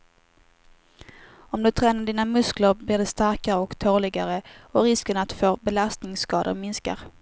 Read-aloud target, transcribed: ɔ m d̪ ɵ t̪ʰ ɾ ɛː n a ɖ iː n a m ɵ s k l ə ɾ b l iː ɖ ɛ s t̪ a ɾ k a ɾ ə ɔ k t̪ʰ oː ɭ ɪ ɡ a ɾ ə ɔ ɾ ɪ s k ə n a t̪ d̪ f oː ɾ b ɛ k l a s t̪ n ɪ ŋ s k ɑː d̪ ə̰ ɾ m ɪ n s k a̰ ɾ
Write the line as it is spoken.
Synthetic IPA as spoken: ɔ m d̪ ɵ t̪ʰ ɾ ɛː n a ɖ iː n a m ɵ s k l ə ɾ b l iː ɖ ɛ s t̪ a ɾ k a ɾ ə ɔ k t̪ʰ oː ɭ ɪ ɡ a ɾ ə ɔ ɾ ɪ s k ə n a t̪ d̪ f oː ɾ b ɛ l a s t̪ n ɪ ŋ s k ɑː d̪ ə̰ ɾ m ɪ n s k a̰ ɾ